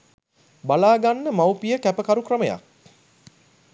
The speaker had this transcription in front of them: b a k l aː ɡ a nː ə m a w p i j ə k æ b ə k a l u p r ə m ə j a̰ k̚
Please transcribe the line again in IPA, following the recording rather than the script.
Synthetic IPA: b a l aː ɡ a nː ə m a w p i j ə k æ p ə k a ɾ u k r ə m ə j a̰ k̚